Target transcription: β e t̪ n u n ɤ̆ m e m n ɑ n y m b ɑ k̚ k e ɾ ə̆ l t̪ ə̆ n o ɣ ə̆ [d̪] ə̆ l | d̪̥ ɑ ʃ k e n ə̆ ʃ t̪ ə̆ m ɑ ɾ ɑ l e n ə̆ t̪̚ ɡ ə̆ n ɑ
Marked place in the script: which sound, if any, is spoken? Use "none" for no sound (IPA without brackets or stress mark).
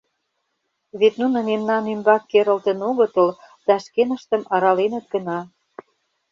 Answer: t̪